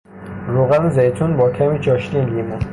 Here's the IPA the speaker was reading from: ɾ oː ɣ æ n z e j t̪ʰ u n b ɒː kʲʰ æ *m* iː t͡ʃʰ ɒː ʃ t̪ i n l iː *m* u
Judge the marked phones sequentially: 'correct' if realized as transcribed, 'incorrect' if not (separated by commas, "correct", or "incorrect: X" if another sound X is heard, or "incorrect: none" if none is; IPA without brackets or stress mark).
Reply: correct, correct